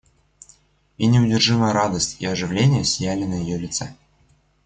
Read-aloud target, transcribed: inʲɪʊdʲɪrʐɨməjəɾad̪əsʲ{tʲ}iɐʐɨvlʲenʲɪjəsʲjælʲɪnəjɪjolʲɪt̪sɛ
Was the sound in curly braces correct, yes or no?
yes